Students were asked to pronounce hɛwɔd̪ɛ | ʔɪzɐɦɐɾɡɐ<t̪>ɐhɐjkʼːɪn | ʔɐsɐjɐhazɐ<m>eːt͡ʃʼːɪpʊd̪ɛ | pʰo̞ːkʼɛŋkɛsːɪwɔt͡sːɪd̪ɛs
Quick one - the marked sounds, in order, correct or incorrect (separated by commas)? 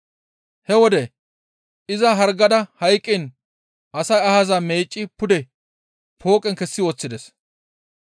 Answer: incorrect, correct